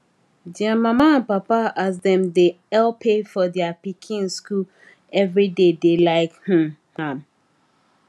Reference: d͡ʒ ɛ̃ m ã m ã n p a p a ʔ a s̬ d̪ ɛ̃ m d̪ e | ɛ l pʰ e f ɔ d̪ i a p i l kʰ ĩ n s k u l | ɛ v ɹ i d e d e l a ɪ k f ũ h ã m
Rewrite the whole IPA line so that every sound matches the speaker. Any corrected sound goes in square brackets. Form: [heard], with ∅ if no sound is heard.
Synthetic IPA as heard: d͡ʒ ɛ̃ m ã m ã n p a p a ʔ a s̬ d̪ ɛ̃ m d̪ e | ɛ l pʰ e f ɔ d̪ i a p i [∅] kʰ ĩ n s k u l | ɛ v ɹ i d e d e l a ɪ k [h] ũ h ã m